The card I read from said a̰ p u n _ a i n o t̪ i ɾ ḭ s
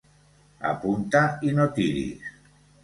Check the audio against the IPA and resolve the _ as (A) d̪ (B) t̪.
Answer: B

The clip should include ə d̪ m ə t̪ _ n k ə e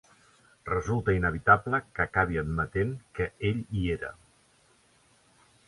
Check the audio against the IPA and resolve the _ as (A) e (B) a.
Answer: A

